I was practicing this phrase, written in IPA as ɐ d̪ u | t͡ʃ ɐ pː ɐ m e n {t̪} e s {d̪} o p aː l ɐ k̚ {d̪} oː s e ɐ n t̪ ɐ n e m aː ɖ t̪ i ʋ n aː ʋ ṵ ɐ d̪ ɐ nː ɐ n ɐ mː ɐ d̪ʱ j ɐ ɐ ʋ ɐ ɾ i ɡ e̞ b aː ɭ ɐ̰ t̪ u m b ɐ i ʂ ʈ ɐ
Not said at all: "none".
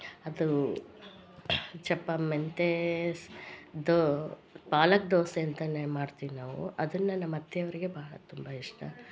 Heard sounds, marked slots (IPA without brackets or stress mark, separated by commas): t̪, d̪, d̪